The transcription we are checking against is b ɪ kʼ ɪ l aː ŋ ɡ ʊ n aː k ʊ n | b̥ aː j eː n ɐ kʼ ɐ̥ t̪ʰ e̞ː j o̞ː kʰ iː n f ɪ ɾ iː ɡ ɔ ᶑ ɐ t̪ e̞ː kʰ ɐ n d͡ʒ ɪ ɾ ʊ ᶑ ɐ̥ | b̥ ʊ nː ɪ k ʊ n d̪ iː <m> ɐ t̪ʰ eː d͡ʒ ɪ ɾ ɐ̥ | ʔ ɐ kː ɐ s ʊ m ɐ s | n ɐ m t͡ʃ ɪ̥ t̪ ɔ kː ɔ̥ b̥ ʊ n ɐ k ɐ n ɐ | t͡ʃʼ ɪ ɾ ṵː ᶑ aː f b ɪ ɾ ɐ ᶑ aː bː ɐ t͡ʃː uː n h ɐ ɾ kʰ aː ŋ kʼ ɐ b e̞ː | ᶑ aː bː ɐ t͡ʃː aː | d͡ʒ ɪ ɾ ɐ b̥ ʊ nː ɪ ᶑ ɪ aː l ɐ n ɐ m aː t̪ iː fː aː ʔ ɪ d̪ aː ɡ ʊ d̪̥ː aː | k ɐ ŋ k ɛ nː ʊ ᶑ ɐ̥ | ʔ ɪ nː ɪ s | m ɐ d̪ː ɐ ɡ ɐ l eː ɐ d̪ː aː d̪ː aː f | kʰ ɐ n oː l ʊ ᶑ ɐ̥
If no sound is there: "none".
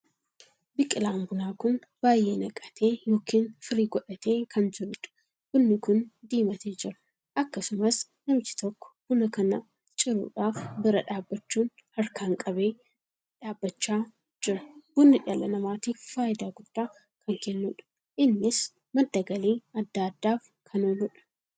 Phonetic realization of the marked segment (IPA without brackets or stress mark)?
m